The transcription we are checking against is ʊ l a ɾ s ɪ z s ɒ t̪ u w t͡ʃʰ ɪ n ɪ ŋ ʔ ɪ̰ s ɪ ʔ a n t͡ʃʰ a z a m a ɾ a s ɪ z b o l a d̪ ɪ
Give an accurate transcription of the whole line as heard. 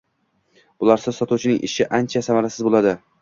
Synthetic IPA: ʊ l a ɾ s ɪ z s ɒ t̪ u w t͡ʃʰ ɪ n ɪ ŋ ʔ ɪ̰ ʃ ɪ ʔ a n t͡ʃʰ a s a m a ɾ a s ɪ z b o l a d̪ ɪ

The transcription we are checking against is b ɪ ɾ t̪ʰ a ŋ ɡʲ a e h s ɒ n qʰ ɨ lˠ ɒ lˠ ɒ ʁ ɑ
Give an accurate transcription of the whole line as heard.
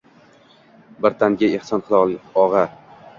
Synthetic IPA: b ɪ ɾ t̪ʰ a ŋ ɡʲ a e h s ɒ n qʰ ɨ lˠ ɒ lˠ ɒ ʁ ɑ

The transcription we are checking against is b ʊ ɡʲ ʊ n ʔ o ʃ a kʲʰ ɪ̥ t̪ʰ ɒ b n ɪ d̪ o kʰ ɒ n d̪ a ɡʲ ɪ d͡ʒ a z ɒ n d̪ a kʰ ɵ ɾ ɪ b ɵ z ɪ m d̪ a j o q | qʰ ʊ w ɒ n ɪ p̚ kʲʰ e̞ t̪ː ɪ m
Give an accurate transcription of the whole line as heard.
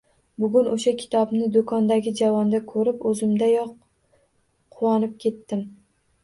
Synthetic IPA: b ʊ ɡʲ ʊ n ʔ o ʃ a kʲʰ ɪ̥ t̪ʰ ɒ b n ɪ d̪ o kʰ ɒ n d̪ a ɡʲ ɪ d͡ʒ a v ɒ n d̪ a kʰ ɵ ɾ ɪ p ɵ z ɪ m d̪ a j ɒ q | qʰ ʊ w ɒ n ɪ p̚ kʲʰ e̞ t̪ː ɪ m

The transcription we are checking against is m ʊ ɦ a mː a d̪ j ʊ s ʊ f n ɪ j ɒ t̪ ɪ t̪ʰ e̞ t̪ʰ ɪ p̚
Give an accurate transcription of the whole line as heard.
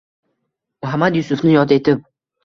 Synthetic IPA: m ʊ ɦ a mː a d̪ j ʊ s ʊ f n ɪ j ɒ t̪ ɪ e̞ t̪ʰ ɪ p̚

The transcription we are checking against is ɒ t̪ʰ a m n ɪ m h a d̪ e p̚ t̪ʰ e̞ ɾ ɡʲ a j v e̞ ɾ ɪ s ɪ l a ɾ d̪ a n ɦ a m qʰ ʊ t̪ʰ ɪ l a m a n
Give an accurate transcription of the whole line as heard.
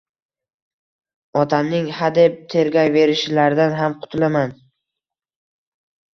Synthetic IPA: ɒ t̪ʰ a m n ɪ ŋ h a d̪ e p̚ t̪ʰ e̞ ɾ ɡʲ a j v e̞ ɾ ɪ ʃ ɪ l a ɾ d̪ a n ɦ a m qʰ ʊ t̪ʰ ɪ l a m a n

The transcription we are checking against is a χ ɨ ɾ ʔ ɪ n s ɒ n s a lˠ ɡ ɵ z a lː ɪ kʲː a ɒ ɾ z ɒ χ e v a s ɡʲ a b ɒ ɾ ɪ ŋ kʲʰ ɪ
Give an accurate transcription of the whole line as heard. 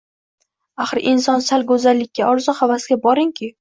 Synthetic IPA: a χ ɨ ɾ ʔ ɪ n s ɒ n s a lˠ ɡ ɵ z a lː ɪ kʲː a ɒ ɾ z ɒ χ a v a s ɡʲ a b ɒ ɾ ɪ ŋ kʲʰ ɪ

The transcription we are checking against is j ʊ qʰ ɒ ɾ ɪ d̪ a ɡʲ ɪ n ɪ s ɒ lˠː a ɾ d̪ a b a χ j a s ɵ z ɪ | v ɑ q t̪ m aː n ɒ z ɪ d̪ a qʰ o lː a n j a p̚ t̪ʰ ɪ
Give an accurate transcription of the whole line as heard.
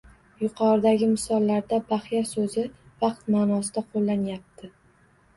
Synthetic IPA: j ʊ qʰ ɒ ɾ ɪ d̪ a ɡʲ ɪ m ɪ s ɒ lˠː a ɾ d̪ a b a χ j a s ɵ z ɪ | v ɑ q t̪ m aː n ɒ s ɪ d̪ a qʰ o lː a n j a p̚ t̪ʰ ɪ

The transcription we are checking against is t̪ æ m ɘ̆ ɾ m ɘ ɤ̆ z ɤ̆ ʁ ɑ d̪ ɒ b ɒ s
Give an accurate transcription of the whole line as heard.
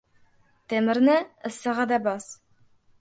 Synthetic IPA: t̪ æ m ɘ̆ ɾ n ɘ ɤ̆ s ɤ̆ ʁ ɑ d̪ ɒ b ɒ s

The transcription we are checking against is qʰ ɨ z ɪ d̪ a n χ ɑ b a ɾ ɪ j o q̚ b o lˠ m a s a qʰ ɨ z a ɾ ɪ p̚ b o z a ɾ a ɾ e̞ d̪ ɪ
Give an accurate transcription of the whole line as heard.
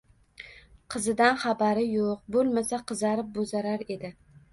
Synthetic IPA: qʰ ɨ z ɪ d̪ a n χ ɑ b a ɾ ɪ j o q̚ b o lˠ m a s a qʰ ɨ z a ɾ ɪ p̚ b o z a ɾ a ɾ e̞ d̪ ɪ

